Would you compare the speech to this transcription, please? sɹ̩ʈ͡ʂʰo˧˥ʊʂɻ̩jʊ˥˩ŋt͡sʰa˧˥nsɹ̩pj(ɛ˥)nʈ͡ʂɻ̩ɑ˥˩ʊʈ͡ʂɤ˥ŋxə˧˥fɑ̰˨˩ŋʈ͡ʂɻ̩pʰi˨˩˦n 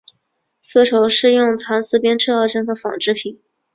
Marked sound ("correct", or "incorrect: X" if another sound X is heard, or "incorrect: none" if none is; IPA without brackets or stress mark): correct